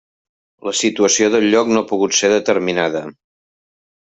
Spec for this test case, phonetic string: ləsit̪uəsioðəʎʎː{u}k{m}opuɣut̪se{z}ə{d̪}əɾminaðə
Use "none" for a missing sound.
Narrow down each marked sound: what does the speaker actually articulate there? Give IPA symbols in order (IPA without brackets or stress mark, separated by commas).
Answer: ɔ, n, ð, t̪